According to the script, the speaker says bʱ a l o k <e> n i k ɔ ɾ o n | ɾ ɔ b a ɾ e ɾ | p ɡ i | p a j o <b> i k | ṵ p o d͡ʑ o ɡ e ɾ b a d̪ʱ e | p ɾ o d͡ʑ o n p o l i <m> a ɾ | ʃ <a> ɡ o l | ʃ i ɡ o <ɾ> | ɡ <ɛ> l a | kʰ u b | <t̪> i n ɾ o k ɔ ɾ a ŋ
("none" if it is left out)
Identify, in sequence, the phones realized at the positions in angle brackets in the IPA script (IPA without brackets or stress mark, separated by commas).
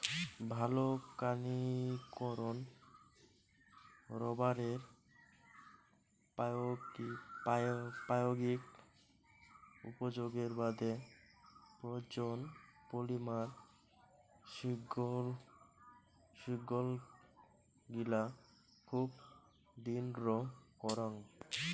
a, ɡ, m, i, l, i, d̪